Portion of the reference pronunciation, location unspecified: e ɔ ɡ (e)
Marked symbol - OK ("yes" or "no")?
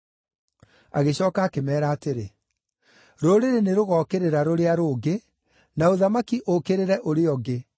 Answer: yes